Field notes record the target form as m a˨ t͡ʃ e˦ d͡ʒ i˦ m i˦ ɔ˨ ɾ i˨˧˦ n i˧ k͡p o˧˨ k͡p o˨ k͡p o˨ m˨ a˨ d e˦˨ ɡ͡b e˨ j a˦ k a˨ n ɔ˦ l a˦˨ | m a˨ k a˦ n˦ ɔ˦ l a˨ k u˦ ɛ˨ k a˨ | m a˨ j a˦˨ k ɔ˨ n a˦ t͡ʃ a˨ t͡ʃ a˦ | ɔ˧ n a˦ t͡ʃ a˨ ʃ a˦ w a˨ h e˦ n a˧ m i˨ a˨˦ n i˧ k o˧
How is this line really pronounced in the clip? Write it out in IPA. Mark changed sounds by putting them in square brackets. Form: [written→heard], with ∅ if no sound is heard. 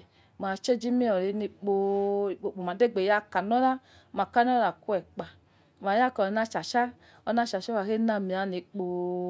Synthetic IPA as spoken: m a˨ t͡ʃ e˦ d͡ʒ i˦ m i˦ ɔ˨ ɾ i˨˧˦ n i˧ k͡p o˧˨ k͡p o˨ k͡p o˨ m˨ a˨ d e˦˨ ɡ͡b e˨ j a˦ k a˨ n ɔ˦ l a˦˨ | m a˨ k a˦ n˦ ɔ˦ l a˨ k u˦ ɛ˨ [k→k͡p] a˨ | m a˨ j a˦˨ k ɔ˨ n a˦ t͡ʃ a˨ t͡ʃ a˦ | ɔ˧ n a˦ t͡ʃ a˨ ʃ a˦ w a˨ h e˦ n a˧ m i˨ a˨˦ n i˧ [k→k͡p] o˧